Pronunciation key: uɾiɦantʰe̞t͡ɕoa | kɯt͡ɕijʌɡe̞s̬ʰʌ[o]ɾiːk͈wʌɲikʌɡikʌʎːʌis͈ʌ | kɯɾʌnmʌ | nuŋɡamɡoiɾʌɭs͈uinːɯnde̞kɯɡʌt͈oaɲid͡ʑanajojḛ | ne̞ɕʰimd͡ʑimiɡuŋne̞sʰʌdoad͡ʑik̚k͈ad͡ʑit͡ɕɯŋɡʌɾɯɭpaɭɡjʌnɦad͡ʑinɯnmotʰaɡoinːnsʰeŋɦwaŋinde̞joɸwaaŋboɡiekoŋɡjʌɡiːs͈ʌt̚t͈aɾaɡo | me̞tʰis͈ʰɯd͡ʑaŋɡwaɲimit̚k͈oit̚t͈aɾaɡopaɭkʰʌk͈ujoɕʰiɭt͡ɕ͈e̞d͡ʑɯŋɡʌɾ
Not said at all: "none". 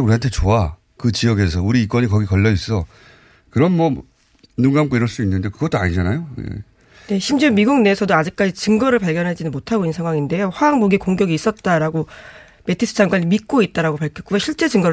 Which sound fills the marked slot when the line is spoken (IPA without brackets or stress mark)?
u